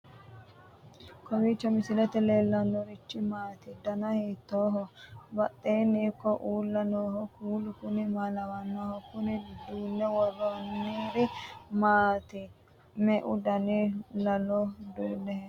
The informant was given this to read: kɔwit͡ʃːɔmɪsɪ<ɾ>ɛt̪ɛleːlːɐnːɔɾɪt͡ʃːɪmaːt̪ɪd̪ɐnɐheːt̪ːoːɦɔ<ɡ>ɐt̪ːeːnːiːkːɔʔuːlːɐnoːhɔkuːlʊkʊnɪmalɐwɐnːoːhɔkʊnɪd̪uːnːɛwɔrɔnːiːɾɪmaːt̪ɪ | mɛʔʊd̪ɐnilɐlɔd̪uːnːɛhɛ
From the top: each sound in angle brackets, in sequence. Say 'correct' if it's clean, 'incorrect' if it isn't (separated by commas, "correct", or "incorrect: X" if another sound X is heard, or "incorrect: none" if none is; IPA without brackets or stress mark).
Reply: incorrect: l, incorrect: b